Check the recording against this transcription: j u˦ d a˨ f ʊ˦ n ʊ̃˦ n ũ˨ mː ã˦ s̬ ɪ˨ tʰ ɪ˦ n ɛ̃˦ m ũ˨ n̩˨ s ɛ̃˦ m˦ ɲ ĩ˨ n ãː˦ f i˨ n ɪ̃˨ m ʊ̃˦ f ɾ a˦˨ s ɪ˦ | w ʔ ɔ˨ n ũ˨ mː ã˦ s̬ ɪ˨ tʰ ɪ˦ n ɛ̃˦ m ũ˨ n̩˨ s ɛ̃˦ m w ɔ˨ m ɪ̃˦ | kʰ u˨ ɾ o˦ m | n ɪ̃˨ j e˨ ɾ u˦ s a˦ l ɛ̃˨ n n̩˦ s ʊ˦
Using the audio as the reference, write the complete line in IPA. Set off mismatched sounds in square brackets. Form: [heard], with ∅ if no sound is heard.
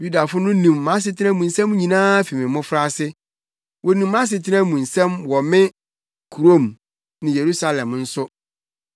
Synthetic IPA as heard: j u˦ d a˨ f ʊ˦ n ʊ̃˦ n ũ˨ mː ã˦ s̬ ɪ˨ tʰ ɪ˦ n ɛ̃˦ m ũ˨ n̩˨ s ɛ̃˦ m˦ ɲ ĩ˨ n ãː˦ f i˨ [m] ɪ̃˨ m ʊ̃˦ f ɾ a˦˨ s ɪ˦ | w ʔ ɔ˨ n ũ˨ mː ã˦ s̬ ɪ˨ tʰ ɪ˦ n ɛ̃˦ m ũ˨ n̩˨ s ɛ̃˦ m w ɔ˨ m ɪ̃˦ | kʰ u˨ ɾ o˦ m | n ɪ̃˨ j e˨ ɾ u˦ s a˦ l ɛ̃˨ [m] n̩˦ s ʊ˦